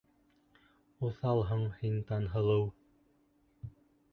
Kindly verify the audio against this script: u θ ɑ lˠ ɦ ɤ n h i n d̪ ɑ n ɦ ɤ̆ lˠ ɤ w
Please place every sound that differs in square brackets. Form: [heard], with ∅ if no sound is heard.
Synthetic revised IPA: u θ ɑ lˠ ɦ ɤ [ɴ] h i n [t̪] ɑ n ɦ ɤ̆ lˠ ɤ w